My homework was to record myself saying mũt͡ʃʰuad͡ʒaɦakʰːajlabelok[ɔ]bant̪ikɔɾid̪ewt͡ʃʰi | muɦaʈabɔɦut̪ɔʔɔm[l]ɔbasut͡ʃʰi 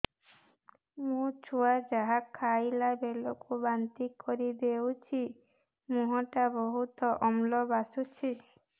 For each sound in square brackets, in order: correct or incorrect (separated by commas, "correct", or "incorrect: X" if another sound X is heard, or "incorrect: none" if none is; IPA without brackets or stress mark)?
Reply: incorrect: u, correct